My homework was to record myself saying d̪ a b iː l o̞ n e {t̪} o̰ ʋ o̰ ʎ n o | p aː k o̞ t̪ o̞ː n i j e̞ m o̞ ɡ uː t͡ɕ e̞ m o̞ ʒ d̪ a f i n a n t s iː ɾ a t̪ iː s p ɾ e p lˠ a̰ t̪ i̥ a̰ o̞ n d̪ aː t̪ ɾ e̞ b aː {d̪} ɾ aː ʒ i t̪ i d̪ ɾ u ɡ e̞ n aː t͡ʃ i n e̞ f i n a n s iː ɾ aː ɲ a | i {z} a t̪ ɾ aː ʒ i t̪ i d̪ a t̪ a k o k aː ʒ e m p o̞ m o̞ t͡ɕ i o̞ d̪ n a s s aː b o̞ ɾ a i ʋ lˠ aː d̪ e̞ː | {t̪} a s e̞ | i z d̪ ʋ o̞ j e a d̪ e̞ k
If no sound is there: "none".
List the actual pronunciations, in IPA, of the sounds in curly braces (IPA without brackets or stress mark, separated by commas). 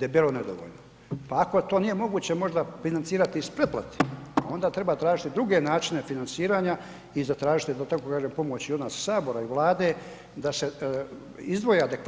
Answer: d̪, t̪, z, d̪